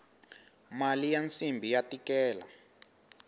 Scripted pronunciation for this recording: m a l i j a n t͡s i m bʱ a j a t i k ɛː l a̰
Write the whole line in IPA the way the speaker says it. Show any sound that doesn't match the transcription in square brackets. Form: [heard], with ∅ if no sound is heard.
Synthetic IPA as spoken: m a l i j a n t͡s i m bʱ [i] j a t i k ɛː l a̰